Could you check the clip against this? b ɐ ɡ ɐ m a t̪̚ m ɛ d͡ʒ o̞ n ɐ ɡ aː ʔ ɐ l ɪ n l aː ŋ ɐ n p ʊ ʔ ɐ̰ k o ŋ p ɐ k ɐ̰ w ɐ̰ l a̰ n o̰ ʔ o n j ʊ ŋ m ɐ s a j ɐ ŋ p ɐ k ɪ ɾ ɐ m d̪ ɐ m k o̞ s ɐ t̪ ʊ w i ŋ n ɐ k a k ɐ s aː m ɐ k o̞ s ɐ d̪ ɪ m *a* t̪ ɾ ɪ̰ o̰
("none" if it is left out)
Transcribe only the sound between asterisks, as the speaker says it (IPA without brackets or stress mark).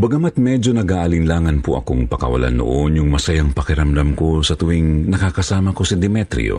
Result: ɛ